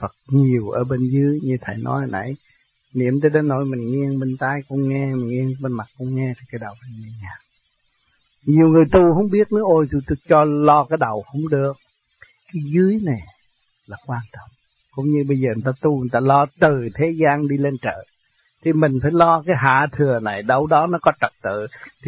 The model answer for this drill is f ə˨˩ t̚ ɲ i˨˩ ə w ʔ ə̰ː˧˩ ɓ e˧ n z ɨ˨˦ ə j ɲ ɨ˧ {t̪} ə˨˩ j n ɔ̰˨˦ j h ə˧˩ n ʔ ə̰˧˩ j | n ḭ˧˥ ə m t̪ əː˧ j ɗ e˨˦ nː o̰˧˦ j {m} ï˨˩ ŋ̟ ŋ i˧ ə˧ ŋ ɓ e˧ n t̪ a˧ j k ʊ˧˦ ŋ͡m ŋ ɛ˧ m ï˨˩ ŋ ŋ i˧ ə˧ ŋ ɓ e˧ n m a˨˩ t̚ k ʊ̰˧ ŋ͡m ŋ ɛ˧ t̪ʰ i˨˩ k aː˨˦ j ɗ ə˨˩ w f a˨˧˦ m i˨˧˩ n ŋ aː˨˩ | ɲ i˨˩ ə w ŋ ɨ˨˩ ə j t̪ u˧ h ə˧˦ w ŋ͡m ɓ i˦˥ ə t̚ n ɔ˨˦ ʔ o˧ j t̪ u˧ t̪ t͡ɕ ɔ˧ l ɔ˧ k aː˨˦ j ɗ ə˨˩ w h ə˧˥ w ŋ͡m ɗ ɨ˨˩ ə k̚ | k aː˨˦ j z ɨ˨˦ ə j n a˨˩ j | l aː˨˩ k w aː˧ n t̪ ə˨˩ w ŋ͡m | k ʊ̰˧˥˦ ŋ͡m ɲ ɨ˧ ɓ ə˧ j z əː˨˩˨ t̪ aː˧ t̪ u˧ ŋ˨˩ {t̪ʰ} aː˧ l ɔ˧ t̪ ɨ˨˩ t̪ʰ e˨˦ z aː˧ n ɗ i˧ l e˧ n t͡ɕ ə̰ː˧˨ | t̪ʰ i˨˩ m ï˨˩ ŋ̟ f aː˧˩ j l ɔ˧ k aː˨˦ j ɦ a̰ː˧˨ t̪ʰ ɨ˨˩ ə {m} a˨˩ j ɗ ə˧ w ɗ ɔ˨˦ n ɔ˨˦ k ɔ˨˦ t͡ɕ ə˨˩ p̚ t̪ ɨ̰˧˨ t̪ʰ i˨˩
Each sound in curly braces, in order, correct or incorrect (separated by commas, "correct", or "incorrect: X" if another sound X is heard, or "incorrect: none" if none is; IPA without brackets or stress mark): incorrect: t̪ʰ, correct, incorrect: t̪, incorrect: n